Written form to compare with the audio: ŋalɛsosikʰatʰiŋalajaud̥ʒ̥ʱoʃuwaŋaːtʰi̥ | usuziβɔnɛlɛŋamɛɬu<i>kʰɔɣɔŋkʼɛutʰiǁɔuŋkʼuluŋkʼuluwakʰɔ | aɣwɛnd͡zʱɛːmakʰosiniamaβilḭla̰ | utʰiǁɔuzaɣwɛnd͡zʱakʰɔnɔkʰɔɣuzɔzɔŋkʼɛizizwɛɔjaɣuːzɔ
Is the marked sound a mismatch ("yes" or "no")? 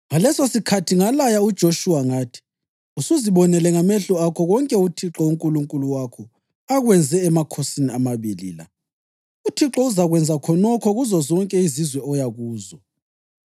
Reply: yes